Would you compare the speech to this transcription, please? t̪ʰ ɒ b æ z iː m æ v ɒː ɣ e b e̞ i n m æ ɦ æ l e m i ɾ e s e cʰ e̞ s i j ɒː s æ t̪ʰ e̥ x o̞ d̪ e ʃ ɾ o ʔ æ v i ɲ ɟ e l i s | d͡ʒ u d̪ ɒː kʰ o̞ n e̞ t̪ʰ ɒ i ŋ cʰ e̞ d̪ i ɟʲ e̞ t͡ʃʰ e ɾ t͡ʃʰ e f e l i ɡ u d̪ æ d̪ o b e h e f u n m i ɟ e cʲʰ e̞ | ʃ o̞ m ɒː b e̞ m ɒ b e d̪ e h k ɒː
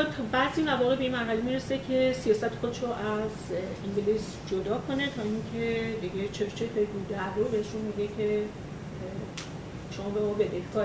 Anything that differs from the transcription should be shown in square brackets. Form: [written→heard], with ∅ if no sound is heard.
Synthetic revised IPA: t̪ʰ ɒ b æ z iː m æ v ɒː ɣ e b e̞ i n m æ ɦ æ l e m i ɾ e s e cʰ e̞ s i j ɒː s æ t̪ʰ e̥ x o̞ d̪ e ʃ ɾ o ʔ æ [v→z] i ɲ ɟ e l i s | d͡ʒ [u→o] d̪ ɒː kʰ o̞ n e̞ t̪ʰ ɒ i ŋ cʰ e̞ d̪ i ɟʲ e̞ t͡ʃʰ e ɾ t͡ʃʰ e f e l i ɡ u d̪ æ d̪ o b e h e [f→ʃ] u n m i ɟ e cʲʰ e̞ | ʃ o̞ m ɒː b e̞ m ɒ b e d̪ e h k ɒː